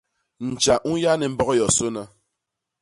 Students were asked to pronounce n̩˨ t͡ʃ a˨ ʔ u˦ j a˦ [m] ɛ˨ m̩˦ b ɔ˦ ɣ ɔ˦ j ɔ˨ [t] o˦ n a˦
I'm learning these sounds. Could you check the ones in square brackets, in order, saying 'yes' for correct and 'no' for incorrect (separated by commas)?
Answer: no, no